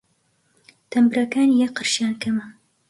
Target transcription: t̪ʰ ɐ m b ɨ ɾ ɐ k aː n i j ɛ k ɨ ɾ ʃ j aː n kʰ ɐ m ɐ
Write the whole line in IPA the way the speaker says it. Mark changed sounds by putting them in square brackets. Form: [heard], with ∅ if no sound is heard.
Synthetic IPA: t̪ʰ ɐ m b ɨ ɾ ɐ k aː n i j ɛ [q] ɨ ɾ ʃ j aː n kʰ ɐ m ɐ